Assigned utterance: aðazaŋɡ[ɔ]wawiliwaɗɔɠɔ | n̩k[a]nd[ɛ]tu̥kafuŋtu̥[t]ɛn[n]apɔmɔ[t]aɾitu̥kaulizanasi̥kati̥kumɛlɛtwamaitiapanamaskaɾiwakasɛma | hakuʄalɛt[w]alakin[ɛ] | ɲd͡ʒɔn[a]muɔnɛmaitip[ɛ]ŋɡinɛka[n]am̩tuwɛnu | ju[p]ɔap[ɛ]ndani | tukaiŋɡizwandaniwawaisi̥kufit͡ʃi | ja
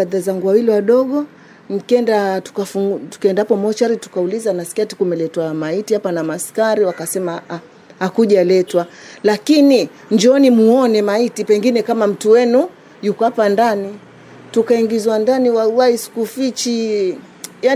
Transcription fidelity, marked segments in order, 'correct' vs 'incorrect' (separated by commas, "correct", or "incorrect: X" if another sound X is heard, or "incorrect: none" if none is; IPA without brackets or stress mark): incorrect: u, incorrect: ɛ, incorrect: a, incorrect: k, incorrect: d, incorrect: t͡ʃ, correct, incorrect: i, incorrect: i, correct, incorrect: m, incorrect: k, incorrect: a